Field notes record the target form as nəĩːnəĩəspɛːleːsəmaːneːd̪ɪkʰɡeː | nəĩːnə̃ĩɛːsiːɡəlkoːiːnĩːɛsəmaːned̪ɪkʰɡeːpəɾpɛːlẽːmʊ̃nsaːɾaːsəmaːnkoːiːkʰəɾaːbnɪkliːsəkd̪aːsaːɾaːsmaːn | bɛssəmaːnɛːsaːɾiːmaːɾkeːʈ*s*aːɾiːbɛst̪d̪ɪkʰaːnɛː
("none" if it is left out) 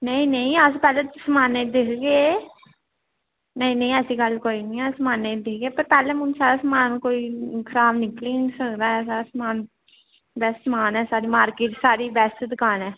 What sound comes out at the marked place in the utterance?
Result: s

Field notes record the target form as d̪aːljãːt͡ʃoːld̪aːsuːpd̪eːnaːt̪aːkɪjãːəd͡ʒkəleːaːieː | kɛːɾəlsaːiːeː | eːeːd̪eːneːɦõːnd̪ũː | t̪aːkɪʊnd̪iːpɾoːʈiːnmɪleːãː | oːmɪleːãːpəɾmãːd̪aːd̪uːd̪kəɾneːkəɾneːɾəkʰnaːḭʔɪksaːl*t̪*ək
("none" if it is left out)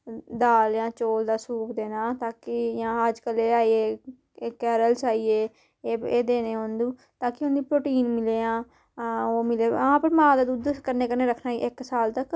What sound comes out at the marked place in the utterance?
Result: t̪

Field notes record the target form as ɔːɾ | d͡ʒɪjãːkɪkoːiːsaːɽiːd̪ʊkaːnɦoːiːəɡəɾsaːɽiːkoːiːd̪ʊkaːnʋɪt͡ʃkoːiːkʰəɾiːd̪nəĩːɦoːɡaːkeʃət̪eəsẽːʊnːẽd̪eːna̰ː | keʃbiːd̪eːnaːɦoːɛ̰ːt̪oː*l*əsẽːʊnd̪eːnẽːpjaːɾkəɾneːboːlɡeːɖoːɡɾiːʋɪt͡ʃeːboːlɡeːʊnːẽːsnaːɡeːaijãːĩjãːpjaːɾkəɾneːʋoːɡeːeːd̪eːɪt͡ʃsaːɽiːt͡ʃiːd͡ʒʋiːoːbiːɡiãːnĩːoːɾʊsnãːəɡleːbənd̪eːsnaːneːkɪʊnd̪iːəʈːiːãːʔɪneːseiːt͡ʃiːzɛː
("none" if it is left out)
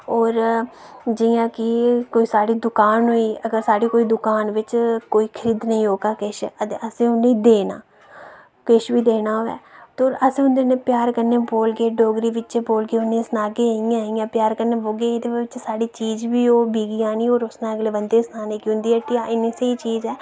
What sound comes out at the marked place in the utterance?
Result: ɾ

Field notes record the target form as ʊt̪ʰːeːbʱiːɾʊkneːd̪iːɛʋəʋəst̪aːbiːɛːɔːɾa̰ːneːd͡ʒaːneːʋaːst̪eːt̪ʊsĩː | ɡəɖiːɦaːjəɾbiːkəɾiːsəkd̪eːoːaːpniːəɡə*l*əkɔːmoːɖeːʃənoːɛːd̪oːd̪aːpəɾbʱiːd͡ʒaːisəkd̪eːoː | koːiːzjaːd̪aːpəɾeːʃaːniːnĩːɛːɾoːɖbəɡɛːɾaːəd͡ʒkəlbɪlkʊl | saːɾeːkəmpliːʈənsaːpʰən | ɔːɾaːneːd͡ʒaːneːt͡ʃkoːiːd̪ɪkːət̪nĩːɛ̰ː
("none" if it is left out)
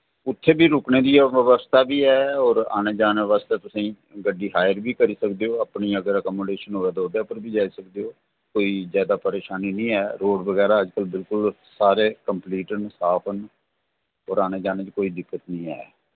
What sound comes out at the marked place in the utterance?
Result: ɾ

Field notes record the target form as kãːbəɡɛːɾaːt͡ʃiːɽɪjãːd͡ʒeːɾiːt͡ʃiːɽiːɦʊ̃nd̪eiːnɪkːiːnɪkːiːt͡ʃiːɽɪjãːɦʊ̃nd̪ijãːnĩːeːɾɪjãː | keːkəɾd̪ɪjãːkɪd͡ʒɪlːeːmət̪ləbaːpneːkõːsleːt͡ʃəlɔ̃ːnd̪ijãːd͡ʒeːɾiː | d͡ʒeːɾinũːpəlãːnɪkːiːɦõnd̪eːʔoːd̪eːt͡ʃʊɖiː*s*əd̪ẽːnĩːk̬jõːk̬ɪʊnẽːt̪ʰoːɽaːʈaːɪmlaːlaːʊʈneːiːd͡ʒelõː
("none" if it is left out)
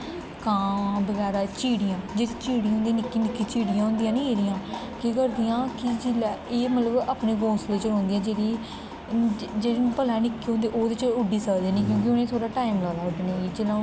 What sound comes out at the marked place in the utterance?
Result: s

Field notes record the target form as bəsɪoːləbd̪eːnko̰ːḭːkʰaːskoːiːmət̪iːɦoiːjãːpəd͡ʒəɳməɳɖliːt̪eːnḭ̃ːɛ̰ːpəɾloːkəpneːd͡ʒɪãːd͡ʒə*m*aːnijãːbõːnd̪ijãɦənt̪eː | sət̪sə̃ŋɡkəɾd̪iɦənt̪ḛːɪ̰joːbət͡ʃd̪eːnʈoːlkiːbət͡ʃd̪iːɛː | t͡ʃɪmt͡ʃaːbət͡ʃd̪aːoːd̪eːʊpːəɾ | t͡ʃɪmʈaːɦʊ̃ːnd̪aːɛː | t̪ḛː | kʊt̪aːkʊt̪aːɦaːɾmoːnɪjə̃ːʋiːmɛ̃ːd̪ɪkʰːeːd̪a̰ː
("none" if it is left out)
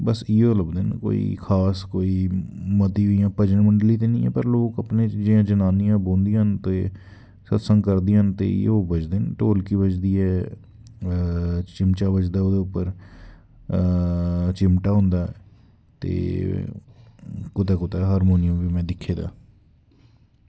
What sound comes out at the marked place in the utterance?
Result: n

